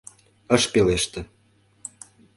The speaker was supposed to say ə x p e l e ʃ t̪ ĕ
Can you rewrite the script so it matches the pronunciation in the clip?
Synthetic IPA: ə ʃ p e l e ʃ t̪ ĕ